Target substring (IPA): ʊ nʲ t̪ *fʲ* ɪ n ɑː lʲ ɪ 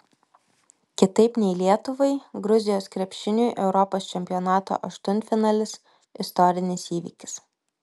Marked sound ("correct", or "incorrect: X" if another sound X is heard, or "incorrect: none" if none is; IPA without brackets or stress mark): correct